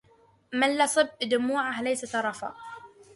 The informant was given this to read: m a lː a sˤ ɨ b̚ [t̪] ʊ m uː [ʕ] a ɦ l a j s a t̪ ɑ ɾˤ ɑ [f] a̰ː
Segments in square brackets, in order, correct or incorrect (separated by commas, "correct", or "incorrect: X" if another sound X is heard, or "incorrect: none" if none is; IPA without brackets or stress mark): incorrect: d̪, correct, correct